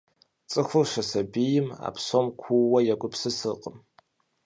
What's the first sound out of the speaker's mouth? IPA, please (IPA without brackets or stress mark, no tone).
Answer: t͡sʼ